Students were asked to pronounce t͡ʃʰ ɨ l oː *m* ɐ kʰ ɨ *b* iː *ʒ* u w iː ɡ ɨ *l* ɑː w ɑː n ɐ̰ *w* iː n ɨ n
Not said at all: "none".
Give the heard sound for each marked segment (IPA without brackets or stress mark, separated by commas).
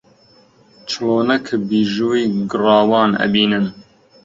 n, b, ʒ, r, b